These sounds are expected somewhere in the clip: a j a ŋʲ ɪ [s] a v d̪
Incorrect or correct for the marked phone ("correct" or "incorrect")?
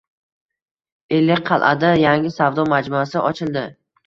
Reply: correct